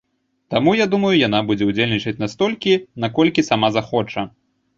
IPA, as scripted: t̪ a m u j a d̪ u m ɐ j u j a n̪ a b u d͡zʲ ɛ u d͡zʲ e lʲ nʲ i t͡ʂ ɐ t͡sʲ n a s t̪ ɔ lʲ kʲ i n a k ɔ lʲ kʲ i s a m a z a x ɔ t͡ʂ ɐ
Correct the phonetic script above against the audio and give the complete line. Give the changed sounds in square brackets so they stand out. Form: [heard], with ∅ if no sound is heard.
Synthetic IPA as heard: t̪ a m u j a d̪ u m ɐ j u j a n̪ a b u d͡zʲ ɛ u d͡zʲ e lʲ nʲ i t͡ʂ ɐ t͡sʲ n a s t̪ ɔ lʲ kʲ i n a k ɔ lʲ kʲ i s a m a z a x ɔ t͡ʂ ɐ